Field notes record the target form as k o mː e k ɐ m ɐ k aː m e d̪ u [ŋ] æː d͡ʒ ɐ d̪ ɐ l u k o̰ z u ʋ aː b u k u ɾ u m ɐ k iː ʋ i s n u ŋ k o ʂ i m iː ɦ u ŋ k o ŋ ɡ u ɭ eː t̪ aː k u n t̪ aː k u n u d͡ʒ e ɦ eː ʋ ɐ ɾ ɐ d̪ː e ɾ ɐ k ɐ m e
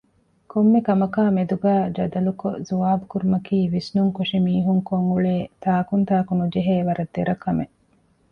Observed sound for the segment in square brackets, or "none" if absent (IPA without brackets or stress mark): ɡ